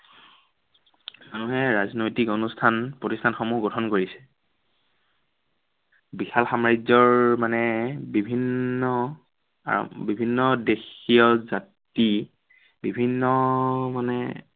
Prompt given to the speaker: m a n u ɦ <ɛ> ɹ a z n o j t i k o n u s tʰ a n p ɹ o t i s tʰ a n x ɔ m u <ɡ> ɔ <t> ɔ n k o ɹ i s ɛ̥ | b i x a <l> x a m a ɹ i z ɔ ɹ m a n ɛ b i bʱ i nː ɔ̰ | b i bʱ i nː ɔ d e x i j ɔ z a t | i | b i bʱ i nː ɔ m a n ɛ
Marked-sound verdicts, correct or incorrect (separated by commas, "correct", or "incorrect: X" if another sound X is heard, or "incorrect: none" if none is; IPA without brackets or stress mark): correct, correct, incorrect: tʰ, correct